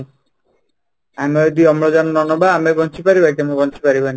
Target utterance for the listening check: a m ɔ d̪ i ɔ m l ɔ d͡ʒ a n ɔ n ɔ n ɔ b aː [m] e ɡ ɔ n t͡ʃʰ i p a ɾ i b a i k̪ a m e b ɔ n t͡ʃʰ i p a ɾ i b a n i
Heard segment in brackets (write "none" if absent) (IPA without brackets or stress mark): m